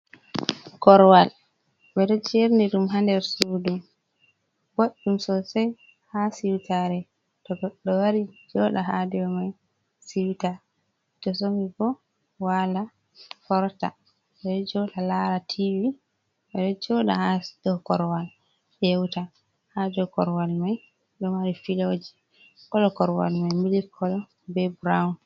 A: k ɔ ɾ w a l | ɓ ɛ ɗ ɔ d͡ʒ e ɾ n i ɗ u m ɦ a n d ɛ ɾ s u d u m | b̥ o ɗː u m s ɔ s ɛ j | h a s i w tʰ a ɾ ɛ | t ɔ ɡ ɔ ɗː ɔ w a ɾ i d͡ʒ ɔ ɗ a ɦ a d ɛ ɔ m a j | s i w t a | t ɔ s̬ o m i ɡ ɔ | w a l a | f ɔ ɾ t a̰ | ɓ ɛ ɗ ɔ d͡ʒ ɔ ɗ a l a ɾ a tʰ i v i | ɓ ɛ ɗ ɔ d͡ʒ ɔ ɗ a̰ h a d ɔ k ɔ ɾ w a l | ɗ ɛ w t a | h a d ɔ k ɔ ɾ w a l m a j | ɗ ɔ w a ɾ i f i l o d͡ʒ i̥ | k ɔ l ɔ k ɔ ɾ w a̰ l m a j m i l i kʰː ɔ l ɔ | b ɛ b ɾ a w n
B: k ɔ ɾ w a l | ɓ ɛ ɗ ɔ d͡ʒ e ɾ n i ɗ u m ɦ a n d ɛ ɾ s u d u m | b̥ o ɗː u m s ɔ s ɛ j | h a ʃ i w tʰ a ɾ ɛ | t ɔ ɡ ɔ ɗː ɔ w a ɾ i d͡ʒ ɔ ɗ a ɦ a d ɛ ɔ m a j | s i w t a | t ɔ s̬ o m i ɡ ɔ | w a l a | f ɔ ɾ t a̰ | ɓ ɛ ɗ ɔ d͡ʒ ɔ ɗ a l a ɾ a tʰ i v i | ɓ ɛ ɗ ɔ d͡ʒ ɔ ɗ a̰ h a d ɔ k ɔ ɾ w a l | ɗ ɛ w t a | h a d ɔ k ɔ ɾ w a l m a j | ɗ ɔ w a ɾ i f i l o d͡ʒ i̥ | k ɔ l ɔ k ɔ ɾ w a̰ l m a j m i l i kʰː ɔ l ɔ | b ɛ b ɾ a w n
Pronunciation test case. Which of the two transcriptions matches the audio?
A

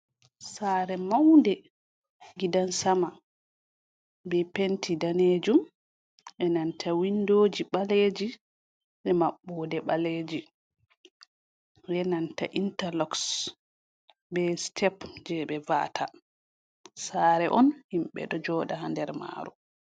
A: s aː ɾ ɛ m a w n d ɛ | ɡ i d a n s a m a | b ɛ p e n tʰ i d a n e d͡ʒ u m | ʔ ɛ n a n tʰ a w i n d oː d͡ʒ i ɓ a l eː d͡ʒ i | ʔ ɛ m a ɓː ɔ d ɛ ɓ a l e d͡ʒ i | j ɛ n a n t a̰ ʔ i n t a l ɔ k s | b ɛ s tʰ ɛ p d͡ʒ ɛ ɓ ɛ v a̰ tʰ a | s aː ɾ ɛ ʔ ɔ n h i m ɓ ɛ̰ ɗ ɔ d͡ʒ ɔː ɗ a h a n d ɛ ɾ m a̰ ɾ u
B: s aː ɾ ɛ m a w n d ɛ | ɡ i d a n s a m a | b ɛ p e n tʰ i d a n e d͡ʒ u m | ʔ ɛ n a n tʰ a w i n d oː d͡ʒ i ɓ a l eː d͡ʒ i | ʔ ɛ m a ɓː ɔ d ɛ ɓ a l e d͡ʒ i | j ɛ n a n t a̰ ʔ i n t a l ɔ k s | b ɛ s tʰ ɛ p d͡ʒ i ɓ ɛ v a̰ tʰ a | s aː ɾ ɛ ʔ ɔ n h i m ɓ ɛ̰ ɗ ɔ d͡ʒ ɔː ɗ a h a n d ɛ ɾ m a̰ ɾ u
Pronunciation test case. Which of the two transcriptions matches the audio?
A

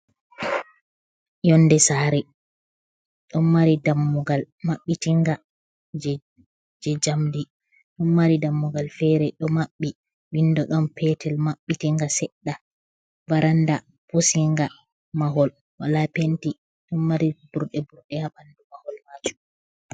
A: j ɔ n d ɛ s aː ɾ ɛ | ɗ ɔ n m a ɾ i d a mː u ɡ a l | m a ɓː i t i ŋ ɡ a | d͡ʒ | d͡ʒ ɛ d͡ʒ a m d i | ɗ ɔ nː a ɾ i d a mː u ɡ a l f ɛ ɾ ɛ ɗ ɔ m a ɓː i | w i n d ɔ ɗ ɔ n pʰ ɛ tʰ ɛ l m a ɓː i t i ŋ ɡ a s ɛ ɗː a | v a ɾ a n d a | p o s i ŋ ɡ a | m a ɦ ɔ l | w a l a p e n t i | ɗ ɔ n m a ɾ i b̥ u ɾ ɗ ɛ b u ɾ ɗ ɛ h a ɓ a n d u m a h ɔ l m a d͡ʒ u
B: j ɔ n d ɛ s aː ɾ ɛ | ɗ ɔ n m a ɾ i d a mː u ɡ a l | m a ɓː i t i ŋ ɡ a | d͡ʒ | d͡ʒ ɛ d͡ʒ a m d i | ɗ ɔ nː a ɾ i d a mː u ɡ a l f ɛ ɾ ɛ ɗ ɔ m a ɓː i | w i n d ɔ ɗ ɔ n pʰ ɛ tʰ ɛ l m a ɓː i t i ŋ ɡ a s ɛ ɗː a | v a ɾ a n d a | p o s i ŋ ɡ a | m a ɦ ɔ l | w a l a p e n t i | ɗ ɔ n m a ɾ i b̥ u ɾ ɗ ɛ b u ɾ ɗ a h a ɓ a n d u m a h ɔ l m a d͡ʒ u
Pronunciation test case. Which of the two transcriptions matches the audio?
A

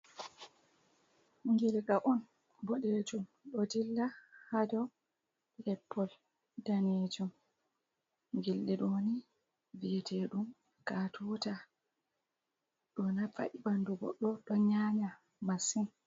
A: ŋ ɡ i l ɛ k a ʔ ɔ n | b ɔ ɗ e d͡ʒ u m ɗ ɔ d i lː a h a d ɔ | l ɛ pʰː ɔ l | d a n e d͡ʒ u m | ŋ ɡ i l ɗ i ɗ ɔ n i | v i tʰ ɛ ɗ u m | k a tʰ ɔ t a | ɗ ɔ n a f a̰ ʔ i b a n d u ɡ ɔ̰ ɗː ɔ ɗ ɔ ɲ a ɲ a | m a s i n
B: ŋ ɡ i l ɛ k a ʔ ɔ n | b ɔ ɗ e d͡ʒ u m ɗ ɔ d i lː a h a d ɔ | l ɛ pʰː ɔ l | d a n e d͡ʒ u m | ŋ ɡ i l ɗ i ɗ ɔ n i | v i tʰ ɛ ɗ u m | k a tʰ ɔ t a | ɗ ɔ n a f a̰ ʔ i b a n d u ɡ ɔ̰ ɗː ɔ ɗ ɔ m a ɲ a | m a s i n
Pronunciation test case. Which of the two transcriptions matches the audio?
A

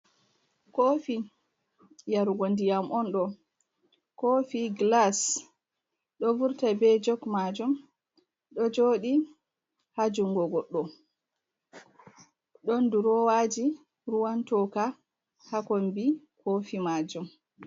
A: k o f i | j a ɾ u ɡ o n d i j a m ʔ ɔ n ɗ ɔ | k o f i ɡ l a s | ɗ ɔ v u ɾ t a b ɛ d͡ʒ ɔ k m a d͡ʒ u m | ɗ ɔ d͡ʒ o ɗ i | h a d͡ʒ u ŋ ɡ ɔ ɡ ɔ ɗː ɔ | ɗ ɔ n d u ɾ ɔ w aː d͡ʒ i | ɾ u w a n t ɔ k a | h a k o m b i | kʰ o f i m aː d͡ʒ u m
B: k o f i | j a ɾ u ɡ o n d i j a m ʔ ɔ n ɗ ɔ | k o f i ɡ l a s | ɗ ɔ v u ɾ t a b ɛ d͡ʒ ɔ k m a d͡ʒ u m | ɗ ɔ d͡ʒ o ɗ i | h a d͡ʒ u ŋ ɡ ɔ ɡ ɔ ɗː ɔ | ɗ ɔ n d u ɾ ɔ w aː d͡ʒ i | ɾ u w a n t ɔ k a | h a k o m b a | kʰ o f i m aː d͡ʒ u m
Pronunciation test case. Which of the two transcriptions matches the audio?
A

